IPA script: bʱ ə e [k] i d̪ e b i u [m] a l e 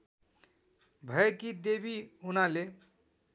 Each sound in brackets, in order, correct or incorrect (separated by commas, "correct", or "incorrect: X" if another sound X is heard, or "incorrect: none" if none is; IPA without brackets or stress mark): correct, incorrect: n